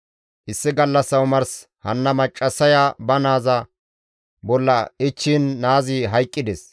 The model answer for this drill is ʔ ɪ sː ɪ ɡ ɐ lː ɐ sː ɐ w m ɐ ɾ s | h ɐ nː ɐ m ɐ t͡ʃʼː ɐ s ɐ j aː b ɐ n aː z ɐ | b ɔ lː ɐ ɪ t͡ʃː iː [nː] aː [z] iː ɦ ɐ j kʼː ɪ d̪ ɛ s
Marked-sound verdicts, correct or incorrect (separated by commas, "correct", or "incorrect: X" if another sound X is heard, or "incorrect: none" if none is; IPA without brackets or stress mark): correct, correct